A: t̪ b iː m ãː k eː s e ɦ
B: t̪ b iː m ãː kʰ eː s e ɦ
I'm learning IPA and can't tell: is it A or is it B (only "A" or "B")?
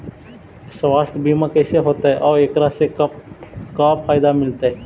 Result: A